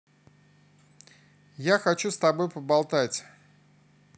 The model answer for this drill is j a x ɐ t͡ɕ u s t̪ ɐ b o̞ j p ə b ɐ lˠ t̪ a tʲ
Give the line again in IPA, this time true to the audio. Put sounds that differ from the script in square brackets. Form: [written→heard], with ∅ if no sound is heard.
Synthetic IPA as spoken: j a x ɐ t͡ɕ u s t̪ ɐ b o̞ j p ə b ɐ lˠ t̪ a tʲ